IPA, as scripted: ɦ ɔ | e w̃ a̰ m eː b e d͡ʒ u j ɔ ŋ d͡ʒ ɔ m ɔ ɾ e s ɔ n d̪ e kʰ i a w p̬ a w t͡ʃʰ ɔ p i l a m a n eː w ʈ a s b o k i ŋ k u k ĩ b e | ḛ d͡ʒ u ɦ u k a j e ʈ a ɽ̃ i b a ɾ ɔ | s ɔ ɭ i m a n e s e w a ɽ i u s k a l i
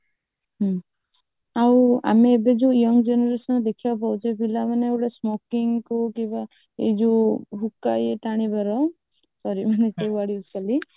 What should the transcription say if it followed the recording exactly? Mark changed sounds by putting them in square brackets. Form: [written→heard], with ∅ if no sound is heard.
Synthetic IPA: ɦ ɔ | [e→a] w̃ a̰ m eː b e d͡ʒ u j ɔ ŋ d͡ʒ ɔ [m→n] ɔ ɾ e s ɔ n d̪ e kʰ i a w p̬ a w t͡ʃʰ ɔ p i l a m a n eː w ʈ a s [b→m] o k i ŋ k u k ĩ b [e→a] | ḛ d͡ʒ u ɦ u k a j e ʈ a ɽ̃ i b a ɾ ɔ | s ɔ [ɭ→ɾ] i m a n e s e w a ɽ i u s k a l i